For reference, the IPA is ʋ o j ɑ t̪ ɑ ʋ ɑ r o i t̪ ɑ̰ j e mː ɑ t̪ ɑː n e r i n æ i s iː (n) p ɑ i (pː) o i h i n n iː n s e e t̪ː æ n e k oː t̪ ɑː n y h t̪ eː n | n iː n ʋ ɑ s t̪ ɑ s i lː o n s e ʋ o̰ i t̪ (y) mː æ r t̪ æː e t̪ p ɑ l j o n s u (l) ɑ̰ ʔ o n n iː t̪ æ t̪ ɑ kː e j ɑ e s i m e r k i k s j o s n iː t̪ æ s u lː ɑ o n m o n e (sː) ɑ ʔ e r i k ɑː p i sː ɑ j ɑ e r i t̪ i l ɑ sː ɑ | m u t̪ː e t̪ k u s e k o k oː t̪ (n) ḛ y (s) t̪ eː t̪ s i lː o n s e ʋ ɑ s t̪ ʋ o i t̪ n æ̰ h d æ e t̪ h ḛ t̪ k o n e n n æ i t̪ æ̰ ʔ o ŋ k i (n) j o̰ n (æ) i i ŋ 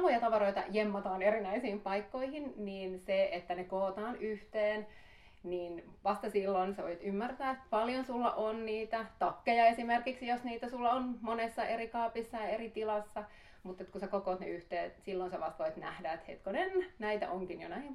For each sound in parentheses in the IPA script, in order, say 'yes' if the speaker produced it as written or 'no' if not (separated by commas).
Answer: no, no, yes, no, yes, yes, no, yes, yes